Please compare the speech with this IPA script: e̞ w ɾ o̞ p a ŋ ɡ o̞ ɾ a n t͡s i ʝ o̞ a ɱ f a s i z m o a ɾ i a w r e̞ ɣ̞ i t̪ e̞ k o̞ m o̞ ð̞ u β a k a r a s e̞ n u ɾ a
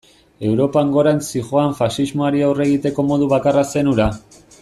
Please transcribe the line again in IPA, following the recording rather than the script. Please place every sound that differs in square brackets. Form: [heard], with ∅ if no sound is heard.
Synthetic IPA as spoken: e̞ w ɾ o̞ p a ŋ ɡ o̞ ɾ a n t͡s i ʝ o̞ a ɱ f a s i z m o a ɾ i a w r e̞ ɣ̞ i t̪ e̞ k o̞ m o̞ ð̞ u β a k a r a s e̞ n u ɾ a